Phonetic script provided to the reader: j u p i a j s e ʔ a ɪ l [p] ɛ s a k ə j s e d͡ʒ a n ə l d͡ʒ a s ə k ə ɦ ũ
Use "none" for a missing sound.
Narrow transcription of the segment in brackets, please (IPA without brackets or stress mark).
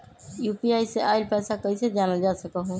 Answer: p